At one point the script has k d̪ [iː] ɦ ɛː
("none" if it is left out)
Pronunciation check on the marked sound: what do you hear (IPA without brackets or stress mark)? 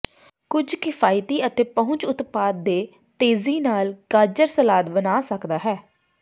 aː